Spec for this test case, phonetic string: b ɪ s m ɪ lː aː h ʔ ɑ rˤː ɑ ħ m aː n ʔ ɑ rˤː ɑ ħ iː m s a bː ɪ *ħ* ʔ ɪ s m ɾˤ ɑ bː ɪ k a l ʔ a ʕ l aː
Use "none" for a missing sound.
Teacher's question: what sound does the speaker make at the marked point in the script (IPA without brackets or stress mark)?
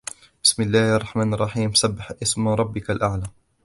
ħ